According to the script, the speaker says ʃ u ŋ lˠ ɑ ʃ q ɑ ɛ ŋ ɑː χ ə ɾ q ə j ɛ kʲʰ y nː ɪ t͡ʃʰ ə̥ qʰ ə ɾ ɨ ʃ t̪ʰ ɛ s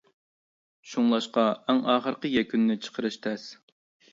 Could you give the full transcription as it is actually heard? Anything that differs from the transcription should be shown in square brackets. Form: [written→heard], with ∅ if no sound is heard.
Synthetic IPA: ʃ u ŋ lˠ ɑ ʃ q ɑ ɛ ŋ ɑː χ ə ɾ q ə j ɛ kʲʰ y nː ɪ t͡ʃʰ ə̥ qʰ ə ɾ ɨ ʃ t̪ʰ ɛ s